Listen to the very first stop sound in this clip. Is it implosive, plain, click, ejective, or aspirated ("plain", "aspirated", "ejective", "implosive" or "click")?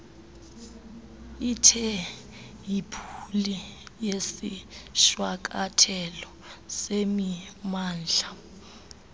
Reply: aspirated